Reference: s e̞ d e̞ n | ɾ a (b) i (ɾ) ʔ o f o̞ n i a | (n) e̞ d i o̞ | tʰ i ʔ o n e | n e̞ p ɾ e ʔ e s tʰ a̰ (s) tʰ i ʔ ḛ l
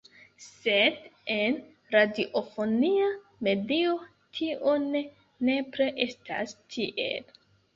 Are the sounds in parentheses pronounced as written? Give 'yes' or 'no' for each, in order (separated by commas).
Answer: no, no, no, yes